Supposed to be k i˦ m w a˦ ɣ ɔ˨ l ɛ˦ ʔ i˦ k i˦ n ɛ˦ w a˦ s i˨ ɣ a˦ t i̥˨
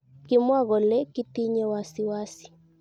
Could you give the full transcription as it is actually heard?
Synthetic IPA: k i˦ m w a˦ ɣ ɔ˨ l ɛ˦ k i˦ t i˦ ɲ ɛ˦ w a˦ s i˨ w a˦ s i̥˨